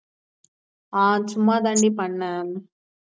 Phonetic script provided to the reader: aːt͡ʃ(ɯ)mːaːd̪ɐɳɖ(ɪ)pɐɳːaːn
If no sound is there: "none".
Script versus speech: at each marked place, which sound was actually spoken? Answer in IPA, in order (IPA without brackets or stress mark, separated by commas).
u, i